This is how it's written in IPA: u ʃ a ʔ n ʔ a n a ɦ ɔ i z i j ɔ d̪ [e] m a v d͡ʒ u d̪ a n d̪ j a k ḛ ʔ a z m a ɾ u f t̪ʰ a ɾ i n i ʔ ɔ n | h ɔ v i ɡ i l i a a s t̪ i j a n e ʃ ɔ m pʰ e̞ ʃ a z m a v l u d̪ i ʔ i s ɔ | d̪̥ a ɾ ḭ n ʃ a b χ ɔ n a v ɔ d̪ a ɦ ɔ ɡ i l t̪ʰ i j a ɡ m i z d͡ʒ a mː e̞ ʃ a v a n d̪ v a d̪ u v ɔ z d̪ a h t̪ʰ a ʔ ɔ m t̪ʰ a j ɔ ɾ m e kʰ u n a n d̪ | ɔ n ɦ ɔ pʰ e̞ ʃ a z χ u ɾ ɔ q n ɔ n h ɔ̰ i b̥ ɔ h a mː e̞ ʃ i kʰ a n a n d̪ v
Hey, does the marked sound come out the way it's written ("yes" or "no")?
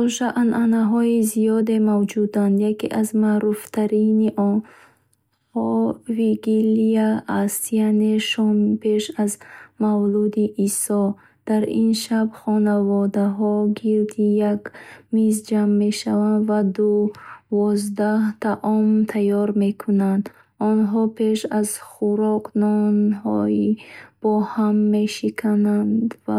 yes